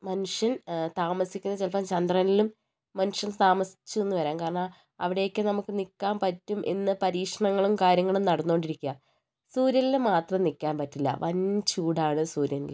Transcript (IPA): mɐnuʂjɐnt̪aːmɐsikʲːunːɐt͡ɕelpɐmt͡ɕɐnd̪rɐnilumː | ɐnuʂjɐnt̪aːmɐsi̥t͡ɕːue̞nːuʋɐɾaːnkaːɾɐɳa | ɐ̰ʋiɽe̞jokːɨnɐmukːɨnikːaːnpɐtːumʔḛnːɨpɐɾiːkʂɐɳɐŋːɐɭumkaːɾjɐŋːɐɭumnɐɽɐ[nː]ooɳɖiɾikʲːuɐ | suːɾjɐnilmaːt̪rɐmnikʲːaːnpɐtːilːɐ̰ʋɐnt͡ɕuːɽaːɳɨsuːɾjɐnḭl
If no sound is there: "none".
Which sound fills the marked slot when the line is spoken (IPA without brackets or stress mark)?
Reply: nː